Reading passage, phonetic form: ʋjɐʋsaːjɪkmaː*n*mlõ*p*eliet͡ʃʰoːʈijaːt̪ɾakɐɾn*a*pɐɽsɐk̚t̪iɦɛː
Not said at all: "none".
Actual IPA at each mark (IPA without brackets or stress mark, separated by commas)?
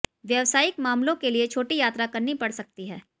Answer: none, k, i